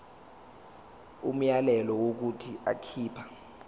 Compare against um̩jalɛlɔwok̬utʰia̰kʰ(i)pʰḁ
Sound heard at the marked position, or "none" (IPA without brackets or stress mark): iː